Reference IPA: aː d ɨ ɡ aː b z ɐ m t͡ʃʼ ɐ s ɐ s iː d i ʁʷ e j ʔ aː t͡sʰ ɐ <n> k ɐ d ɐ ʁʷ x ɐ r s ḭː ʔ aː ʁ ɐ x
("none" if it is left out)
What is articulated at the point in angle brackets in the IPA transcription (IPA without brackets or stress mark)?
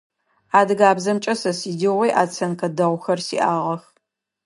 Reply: n